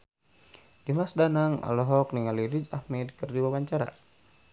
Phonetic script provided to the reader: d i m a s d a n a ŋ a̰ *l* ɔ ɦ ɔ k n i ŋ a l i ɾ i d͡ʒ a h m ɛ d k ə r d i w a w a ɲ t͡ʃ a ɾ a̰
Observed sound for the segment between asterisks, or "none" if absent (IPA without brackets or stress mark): l